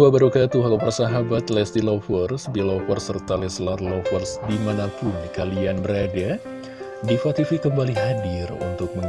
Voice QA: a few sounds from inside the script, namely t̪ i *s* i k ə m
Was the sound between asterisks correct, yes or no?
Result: no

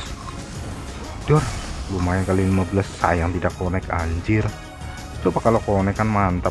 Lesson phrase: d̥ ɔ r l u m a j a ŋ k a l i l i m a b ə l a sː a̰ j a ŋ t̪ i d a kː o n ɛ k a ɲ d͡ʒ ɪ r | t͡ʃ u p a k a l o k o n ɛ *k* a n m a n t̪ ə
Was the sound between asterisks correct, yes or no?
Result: yes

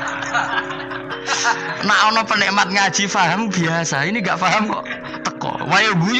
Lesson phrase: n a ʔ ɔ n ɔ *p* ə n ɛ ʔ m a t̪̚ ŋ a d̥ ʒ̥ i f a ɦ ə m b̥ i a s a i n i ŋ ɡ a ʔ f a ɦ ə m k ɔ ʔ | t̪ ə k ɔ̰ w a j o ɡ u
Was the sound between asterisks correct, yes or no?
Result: yes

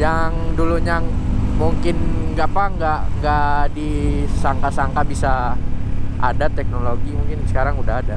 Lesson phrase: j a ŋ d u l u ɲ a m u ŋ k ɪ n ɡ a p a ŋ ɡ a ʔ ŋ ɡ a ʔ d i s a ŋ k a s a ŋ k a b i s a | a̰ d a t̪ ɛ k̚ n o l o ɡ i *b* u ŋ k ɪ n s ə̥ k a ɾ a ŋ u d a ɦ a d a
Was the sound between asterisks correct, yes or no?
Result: no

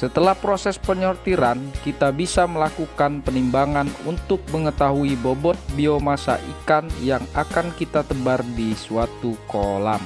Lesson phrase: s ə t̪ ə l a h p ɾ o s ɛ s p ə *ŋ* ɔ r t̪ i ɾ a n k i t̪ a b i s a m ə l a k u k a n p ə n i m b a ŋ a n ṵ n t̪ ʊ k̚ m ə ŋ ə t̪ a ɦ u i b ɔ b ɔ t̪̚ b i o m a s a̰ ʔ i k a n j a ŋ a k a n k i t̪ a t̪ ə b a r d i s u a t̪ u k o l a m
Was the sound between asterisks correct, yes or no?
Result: no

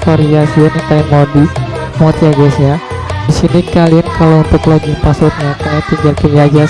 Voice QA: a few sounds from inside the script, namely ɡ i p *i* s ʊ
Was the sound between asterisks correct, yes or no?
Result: no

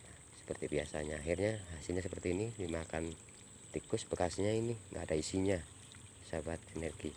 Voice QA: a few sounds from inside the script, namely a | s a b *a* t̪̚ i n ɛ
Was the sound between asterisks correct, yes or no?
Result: yes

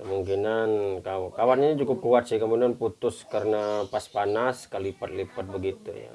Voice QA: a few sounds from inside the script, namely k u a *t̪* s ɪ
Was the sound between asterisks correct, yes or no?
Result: yes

